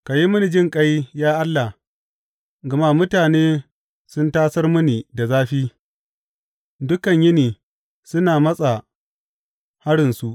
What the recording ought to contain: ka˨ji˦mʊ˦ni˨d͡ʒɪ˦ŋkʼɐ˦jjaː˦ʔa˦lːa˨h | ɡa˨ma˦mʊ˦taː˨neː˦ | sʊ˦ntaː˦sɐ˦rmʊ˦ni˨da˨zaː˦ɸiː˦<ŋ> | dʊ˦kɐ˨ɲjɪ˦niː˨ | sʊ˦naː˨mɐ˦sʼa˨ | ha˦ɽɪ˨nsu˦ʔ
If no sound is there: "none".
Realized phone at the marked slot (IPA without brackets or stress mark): none